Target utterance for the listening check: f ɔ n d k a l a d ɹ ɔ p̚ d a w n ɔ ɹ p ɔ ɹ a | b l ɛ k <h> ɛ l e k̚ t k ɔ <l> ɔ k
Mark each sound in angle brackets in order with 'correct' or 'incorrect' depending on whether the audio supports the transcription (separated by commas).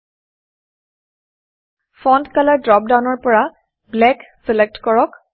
incorrect, incorrect